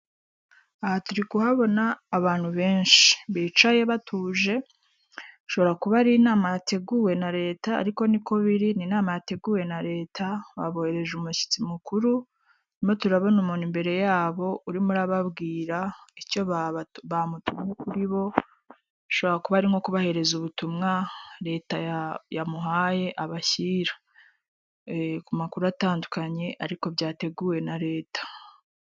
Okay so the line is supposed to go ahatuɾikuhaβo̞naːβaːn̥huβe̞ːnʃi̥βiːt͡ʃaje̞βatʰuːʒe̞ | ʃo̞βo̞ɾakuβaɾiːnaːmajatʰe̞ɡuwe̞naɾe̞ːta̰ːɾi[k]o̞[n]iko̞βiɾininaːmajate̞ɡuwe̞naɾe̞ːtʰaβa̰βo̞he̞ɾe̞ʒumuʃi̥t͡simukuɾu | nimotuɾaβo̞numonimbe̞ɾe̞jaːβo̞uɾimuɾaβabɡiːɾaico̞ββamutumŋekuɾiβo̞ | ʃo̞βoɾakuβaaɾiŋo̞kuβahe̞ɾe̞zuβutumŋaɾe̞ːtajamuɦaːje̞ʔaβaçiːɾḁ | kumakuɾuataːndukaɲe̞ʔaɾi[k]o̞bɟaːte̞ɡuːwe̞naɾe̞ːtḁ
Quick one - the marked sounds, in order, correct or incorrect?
correct, correct, correct

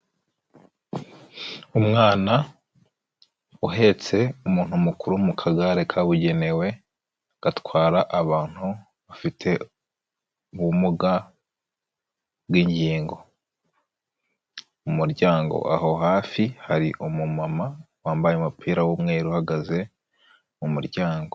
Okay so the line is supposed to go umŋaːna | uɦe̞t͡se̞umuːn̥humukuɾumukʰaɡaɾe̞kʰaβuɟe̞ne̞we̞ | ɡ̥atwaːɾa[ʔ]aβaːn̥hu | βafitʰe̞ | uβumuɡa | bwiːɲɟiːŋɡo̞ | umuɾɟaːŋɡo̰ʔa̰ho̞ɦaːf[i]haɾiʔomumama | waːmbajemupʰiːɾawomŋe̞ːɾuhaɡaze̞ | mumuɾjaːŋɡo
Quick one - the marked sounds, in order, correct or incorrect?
correct, correct

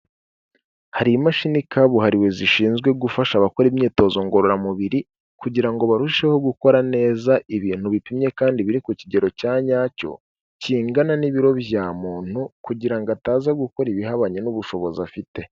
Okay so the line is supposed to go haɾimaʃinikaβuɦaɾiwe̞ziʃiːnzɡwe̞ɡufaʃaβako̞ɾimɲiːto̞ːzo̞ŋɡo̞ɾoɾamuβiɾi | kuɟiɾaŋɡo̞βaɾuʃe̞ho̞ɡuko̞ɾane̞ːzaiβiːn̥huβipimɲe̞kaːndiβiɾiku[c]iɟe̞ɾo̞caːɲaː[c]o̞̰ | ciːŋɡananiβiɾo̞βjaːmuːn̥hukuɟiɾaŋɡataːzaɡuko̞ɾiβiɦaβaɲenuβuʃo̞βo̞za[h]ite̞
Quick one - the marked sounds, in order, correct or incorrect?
correct, correct, incorrect: f

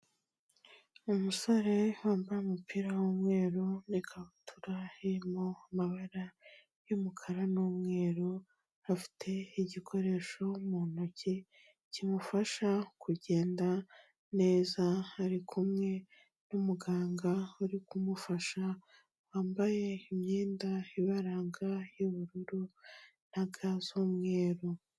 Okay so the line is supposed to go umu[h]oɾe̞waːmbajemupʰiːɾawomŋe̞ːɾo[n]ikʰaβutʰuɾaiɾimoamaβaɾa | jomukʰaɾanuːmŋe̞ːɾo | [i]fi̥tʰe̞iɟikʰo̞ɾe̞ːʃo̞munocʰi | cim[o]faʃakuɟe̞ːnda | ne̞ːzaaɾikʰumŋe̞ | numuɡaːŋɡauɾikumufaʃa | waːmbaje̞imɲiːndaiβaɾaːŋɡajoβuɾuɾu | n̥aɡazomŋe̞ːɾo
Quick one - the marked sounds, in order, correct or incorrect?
incorrect: s, correct, incorrect: a, incorrect: u

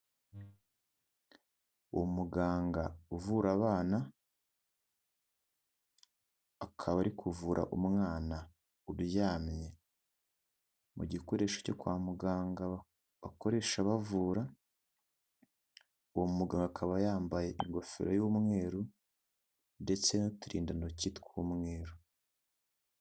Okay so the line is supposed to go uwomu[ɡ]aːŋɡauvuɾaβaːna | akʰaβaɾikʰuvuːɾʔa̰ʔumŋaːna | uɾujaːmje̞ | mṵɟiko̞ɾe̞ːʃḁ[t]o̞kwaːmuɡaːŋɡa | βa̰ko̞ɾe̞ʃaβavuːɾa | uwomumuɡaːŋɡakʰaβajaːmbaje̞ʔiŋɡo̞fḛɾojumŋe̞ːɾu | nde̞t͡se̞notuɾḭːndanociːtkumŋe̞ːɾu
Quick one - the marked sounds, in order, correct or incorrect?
correct, incorrect: c

